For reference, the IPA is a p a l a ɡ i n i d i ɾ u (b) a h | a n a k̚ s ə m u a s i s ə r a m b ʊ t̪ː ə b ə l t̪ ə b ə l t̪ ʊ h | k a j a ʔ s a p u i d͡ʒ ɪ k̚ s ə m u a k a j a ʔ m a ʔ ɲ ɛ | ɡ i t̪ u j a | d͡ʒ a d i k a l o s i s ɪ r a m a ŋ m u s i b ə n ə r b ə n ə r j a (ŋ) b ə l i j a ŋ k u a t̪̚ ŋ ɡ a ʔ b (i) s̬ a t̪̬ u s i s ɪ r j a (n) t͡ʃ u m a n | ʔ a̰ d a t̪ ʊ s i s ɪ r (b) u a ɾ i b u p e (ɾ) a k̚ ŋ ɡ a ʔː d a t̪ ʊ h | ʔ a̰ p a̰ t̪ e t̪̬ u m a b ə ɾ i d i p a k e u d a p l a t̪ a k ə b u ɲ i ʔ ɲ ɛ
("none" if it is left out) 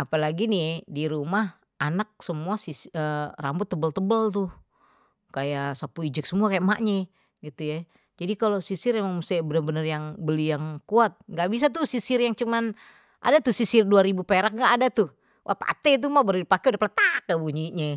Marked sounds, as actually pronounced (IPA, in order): m, ŋ, i, ŋ, d, ɾ

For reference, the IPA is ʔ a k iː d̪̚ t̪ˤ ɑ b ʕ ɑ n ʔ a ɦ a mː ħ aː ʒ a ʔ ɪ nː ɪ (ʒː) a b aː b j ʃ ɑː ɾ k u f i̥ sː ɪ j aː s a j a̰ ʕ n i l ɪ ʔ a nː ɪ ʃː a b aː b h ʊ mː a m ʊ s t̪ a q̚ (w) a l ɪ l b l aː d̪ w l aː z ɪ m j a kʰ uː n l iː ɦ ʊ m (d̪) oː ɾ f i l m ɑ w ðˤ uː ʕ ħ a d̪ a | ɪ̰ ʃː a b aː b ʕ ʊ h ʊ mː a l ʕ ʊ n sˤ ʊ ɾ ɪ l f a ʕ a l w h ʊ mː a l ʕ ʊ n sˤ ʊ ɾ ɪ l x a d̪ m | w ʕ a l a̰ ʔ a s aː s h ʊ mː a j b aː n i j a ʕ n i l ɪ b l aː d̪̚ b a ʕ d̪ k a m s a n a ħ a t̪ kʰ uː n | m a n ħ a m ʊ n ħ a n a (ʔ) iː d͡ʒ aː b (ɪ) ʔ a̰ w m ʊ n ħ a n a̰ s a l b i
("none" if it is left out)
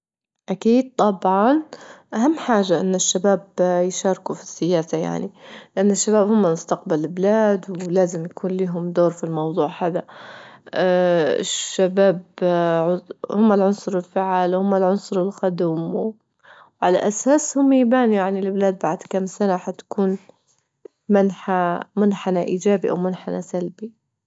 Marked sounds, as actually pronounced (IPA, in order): ʃː, b, d̪, ʔ, i

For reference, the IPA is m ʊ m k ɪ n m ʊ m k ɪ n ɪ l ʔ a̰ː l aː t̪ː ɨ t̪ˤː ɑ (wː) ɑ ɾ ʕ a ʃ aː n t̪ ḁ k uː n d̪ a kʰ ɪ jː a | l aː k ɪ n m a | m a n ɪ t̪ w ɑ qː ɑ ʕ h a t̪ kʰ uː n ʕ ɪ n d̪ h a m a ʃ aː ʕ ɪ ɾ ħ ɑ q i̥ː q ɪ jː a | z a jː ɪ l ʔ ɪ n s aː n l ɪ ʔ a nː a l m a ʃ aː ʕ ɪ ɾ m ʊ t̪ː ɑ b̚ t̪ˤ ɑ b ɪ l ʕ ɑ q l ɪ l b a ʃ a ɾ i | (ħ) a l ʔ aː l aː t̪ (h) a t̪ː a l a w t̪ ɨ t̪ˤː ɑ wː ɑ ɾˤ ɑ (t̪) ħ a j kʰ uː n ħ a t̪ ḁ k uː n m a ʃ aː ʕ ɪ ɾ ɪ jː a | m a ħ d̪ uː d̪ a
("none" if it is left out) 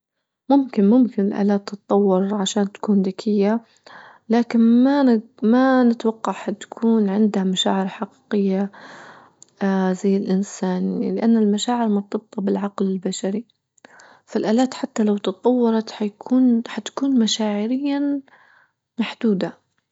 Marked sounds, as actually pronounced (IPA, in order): wː, f, ħ, t̪

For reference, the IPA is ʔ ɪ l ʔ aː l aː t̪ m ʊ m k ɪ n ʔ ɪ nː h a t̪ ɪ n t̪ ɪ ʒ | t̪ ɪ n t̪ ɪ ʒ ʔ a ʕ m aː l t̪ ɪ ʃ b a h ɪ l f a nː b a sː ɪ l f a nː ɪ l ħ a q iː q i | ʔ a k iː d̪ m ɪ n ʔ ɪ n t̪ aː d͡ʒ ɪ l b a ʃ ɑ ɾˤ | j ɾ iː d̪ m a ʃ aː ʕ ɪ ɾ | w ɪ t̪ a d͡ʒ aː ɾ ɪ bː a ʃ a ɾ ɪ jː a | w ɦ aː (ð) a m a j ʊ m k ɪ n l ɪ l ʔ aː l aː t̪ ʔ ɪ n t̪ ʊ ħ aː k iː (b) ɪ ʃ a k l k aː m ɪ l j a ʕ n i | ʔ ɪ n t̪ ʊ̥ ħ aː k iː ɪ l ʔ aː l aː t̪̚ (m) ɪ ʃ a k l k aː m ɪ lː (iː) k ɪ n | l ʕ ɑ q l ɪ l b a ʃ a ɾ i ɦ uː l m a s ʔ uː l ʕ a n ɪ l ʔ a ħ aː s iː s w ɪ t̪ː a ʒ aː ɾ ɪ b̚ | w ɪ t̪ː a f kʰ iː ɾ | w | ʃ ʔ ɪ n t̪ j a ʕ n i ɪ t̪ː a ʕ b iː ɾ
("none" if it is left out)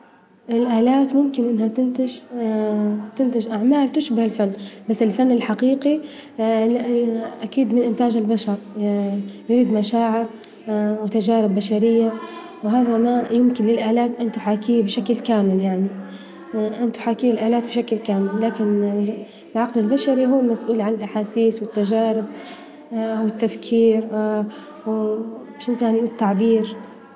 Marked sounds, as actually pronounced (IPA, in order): ð, b, b, aː

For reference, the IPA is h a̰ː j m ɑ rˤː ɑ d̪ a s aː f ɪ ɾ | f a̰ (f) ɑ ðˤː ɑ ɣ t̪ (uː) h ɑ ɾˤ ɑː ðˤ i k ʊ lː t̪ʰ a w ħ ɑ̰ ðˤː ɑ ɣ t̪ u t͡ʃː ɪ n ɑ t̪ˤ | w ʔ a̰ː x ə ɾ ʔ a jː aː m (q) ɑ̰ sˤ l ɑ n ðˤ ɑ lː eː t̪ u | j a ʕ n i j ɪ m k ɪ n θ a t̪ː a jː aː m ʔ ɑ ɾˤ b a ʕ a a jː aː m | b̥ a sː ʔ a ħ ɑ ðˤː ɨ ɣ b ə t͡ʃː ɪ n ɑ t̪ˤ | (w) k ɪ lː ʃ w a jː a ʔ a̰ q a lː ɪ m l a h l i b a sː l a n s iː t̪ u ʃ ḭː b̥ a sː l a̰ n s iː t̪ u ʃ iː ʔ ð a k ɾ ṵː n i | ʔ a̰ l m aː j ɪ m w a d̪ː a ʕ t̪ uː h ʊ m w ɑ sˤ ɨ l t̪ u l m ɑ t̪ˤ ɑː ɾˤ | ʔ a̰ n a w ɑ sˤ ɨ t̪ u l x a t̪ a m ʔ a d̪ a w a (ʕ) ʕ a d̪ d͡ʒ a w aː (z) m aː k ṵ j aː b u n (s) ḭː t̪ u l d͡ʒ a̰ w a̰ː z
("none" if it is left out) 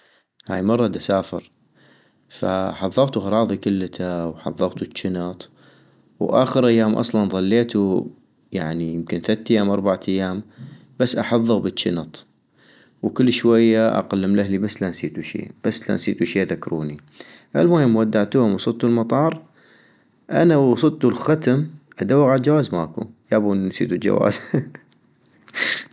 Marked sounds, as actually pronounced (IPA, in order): ħ, u, ʔ, w, ɣ, z, s

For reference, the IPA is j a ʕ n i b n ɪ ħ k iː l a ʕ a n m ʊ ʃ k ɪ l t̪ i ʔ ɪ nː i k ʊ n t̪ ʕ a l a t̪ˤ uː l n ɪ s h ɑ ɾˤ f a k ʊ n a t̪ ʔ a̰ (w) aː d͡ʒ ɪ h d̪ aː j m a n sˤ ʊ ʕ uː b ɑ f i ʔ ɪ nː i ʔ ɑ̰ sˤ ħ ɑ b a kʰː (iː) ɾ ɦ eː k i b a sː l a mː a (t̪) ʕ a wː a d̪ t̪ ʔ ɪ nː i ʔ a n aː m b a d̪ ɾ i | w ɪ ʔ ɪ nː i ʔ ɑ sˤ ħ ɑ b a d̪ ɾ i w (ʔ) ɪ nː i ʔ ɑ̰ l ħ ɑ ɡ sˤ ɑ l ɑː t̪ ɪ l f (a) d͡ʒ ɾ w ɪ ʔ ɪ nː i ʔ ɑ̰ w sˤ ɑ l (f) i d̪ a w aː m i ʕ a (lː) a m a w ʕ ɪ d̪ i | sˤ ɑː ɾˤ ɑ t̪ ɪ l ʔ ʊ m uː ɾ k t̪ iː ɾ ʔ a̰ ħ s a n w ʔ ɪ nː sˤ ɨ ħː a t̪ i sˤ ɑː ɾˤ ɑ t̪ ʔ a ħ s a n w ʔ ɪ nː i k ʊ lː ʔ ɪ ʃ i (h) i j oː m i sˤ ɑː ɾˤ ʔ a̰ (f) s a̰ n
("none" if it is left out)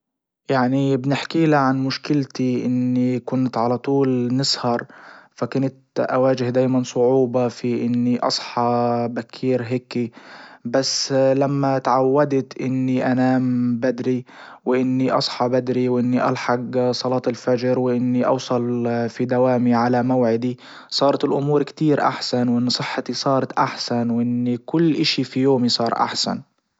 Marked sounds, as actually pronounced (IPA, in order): w, iː, t̪, ʔ, a, f, l, f, ħ

